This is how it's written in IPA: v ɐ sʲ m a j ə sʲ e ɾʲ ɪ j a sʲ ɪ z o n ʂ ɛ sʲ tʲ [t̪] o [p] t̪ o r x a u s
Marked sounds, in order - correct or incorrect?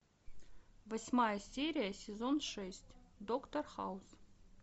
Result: incorrect, incorrect

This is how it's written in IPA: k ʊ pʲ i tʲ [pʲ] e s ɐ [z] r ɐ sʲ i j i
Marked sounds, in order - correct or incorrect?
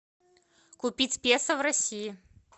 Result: correct, incorrect

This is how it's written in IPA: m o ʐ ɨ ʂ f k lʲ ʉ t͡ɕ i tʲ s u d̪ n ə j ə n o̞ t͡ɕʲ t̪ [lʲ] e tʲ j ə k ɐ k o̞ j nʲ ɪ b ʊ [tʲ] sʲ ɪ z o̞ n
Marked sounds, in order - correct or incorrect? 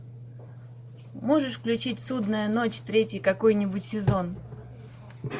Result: incorrect, correct

